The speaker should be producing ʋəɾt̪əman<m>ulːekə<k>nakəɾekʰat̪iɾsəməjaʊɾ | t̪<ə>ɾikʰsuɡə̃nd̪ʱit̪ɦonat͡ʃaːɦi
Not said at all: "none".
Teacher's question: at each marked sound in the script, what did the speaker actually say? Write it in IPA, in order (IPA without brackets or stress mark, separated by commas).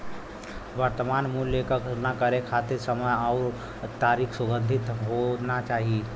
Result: m, k, a